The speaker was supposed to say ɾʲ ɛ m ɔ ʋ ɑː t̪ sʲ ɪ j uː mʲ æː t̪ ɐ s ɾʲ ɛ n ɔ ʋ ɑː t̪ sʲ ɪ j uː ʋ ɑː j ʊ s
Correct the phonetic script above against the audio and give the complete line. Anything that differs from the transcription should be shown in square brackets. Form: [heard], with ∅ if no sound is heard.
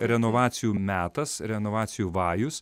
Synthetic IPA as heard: ɾʲ ɛ [n] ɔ ʋ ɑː t̪ sʲ ɪ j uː mʲ æː t̪ ɐ s ɾʲ ɛ n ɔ ʋ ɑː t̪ sʲ ɪ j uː ʋ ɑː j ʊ s

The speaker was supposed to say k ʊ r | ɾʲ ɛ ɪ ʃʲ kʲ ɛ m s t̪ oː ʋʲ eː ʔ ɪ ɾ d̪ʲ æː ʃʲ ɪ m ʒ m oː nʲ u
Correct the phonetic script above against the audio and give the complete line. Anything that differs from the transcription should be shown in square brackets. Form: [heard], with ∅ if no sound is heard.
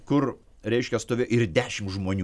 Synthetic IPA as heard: k ʊ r | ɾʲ ɛ ɪ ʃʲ kʲ ɛ [∅] s t̪ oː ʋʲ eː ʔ ɪ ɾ d̪ʲ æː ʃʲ ɪ m ʒ m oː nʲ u

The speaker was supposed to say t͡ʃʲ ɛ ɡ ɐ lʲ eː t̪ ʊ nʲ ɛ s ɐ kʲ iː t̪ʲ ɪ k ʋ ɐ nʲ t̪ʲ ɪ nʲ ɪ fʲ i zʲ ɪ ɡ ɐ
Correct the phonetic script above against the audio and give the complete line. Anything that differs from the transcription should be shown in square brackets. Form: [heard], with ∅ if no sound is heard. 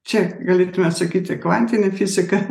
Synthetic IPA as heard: t͡ʃʲ ɛ ɡ ɐ lʲ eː t̪ ʊ [mʲ] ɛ s ɐ kʲ iː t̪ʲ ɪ k ʋ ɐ nʲ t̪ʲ ɪ nʲ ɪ fʲ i zʲ ɪ [k] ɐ

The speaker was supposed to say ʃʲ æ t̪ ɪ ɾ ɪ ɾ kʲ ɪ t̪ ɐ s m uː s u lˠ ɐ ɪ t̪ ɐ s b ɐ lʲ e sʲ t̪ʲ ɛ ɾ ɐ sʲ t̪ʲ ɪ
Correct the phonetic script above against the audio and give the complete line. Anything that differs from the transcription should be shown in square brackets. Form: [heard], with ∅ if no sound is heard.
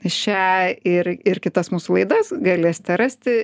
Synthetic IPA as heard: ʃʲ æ [∅] ɪ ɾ ɪ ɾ kʲ ɪ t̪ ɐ s m uː s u lˠ ɐ ɪ [d̪] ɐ s [ɡ] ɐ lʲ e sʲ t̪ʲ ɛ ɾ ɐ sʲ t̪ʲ ɪ

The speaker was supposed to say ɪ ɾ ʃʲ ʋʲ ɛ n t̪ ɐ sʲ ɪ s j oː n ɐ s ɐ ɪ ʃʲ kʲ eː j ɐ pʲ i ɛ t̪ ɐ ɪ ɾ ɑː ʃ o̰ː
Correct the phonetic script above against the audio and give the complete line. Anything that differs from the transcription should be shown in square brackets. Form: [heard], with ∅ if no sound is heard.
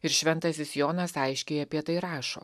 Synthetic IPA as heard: ɪ ɾ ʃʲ ʋʲ ɛ n t̪ ɐ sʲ ɪ s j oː n ɐ s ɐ ɪ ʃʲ kʲ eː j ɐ pʲ i ɛ t̪ ɐ ɪ ɾ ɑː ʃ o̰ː

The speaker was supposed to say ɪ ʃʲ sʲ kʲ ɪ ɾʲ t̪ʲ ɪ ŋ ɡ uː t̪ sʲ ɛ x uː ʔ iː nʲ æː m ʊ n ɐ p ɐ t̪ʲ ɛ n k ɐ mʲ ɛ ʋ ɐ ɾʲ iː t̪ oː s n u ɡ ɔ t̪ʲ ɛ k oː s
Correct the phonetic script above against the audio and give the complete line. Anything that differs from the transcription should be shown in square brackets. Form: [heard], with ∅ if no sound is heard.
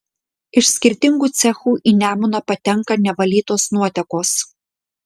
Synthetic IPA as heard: ɪ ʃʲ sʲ kʲ ɪ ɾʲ t̪ʲ ɪ ŋ ɡ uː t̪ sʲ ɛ x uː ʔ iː nʲ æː m ʊ n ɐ p ɐ t̪ʲ ɛ [ŋ] k ɐ [nʲ] ɛ ʋ ɐ [lʲ] iː t̪ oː s n u [∅] ɔ t̪ʲ ɛ k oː s

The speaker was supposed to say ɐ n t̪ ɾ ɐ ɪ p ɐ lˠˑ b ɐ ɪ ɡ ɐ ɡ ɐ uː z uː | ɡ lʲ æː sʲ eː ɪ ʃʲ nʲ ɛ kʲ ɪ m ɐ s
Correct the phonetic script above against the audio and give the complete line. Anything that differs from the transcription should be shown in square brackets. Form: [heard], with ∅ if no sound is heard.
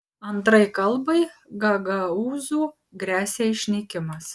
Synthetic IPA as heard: ɐ n t̪ ɾ ɐ ɪ [k] ɐ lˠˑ b ɐ ɪ ɡ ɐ ɡ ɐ uː z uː | ɡ [ɾʲ] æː sʲ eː ɪ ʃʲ nʲ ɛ kʲ ɪ m ɐ s

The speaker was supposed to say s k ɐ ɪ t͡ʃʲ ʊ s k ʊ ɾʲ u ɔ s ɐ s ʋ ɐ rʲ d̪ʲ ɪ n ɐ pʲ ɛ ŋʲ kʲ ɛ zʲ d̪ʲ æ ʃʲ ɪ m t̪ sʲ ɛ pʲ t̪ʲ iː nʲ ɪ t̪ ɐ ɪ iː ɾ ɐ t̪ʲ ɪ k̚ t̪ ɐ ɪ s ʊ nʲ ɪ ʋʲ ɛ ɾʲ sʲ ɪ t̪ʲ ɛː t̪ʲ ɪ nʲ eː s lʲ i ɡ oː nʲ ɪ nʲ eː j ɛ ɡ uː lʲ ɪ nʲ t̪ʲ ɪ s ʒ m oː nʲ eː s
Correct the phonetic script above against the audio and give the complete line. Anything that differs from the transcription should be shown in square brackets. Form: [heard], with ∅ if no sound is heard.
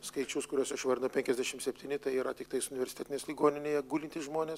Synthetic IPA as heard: s k ɐ ɪ t͡ʃʲ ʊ s k ʊ ɾʲ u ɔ s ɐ [ʃ] ʋ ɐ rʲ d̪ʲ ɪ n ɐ pʲ ɛ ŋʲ kʲ ɛ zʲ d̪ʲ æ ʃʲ ɪ m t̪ sʲ ɛ pʲ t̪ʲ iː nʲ ɪ t̪ ɐ ɪ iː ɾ ɐ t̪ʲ ɪ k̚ t̪ ɐ ɪ s ʊ nʲ ɪ ʋʲ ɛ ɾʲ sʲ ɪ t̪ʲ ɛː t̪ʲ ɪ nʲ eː s lʲ i ɡ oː nʲ ɪ nʲ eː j ɛ ɡ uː lʲ ɪ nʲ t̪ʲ ɪ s ʒ m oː nʲ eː s

